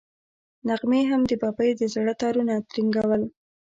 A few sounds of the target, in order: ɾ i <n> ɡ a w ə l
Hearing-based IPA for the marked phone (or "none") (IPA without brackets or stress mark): ŋ